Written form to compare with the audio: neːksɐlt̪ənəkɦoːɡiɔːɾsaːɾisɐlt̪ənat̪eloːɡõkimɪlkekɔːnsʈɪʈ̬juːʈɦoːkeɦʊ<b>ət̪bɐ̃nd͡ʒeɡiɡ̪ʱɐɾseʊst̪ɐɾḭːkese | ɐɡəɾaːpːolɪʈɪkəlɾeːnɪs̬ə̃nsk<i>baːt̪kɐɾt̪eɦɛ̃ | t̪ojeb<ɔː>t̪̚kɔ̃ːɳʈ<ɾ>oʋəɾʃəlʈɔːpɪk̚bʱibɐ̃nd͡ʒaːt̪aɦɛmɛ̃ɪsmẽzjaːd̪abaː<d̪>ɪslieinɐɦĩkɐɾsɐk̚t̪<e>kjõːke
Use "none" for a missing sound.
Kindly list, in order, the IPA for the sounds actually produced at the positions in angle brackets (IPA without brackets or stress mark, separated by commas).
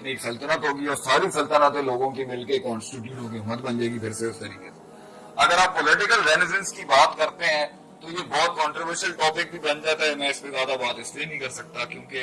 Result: m, i, ɔː, ɾ, t̪, a